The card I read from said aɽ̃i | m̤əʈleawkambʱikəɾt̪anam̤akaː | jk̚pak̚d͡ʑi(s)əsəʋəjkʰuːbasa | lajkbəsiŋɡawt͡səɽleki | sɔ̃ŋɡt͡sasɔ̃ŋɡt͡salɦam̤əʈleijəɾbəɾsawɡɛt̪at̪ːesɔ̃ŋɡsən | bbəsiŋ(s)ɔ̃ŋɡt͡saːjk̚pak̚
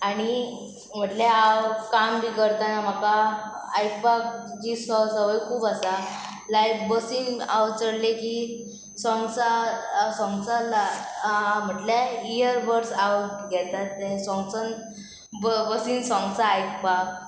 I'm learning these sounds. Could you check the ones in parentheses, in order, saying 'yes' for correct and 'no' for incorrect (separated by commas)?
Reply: yes, yes